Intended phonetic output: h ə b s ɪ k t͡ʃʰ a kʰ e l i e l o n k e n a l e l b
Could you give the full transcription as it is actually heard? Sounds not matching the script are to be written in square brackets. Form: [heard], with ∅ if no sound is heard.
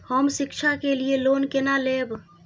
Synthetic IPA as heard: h ə [m] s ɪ k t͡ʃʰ a [k] e l i e l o n k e n a l e [∅] b